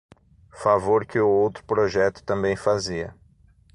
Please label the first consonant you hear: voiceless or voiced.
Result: voiceless